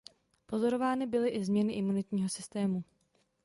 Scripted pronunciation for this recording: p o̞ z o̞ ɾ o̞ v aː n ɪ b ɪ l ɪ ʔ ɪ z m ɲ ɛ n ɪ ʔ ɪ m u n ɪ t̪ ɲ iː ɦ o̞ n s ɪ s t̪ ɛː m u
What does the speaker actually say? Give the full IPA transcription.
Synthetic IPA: p o̞ z o̞ ɾ o̞ v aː n ɪ b ɪ l ɪ ʔ ɪ z m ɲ ɛ n ɪ ʔ ɪ m u n ɪ t̪ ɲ iː ɦ o̞ s ɪ s t̪ ɛː m u